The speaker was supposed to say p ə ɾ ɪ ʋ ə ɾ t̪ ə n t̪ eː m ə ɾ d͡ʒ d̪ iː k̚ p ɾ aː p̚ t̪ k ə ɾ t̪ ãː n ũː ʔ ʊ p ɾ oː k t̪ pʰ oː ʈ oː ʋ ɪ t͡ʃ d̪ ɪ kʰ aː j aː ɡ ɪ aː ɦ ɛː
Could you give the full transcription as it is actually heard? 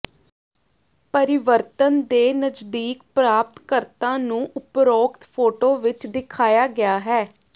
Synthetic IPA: p ə ɾ ɪ ʋ ə ɾ t̪ ə n d̪ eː n ə d͡ʒ d̪ iː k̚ p ɾ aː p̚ t̪ k ə ɾ t̪ ãː n ũː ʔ ʊ p ɾ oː k t̪ pʰ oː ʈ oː ʋ ɪ t͡ʃ d̪ ɪ kʰ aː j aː ɡ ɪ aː ɦ ɛː